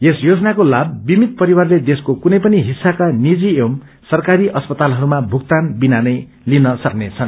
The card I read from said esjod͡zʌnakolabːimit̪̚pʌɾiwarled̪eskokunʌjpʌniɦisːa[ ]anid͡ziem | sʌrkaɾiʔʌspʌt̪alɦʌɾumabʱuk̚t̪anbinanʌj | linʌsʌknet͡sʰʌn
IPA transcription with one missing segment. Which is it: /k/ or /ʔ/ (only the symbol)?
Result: k